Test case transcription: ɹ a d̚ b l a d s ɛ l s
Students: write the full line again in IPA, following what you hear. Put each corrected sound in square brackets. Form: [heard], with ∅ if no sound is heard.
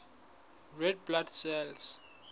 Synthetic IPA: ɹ [ɛ] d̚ b l a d s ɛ l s